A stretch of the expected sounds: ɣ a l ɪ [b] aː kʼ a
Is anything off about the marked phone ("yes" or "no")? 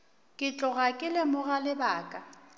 no